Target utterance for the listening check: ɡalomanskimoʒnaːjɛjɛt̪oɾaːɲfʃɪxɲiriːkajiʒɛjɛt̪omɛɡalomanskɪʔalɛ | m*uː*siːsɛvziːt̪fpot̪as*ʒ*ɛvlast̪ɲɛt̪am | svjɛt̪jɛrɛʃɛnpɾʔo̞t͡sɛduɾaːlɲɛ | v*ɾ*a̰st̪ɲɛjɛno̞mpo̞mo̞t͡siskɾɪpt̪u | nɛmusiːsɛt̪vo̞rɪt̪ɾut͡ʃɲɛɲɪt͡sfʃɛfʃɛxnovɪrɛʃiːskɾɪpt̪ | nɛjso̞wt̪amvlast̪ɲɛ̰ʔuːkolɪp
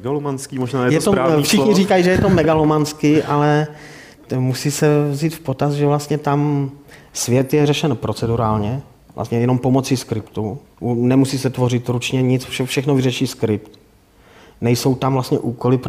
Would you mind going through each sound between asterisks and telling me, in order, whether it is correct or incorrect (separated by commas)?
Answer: incorrect, correct, incorrect